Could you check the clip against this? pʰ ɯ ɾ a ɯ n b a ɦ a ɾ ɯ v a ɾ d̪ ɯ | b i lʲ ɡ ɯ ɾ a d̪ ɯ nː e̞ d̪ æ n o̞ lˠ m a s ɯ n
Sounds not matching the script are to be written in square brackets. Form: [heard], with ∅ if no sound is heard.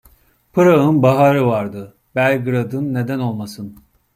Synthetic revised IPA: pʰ ɯ ɾ a ɯ n b a ɦ a ɾ ɯ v a ɾ d̪ ɯ | b [æ] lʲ ɡ ɯ ɾ a d̪ ɯ nː e̞ d̪ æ n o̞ lˠ m a s ɯ n